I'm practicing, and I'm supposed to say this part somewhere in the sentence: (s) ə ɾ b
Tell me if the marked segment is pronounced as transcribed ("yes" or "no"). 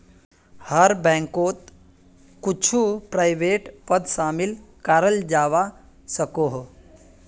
no